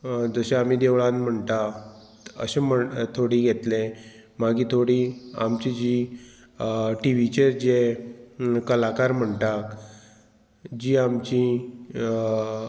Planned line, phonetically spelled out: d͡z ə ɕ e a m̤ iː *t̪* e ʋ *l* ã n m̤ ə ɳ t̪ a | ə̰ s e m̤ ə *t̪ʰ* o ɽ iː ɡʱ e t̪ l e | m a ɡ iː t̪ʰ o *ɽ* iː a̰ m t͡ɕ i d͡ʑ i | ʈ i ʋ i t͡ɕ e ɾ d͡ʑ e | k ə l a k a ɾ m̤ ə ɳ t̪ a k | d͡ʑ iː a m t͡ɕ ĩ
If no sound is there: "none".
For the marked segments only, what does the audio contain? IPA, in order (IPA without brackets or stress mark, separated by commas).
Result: d̪, ɭ, t̪ʰ, ɽ